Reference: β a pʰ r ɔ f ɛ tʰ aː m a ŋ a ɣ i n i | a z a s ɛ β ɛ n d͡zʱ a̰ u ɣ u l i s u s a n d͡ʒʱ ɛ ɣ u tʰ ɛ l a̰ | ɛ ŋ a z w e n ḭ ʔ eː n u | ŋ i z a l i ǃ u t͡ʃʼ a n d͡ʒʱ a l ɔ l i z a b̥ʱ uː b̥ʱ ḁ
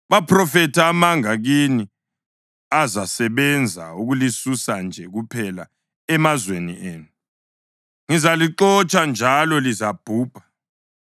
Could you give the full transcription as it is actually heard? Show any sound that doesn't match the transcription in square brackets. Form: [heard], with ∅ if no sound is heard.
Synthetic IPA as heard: β a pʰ r ɔ f ɛ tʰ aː m a ŋ a ɣ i n i | a z a s ɛ β ɛ n d͡zʱ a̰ u ɣ u l i s u s a n d͡ʒʱ ɛ ɣ u [pʰ] ɛ l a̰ | ɛ [m] a z w e n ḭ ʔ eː n u | ŋ i z a l i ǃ [ɔ] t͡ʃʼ a n d͡ʒʱ a l ɔ l i z a b̥ʱ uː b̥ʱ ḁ